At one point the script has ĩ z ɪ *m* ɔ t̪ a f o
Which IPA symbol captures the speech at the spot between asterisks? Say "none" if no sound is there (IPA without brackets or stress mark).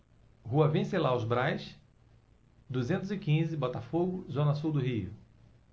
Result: b